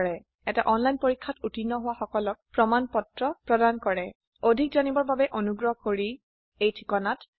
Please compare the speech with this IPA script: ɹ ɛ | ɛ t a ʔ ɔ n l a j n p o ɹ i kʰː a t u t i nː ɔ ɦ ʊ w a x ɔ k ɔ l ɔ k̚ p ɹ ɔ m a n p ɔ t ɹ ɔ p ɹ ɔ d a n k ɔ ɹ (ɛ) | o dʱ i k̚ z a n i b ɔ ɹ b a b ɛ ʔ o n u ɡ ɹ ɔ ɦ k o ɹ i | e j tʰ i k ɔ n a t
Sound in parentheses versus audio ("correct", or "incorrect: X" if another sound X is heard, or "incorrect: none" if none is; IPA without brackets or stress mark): correct